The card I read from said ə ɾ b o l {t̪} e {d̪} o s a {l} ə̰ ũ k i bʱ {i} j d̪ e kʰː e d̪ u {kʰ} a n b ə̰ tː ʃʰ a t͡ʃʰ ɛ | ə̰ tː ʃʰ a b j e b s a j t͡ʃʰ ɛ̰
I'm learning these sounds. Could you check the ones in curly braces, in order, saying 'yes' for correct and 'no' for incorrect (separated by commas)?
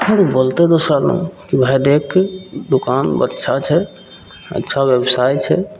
yes, yes, yes, no, no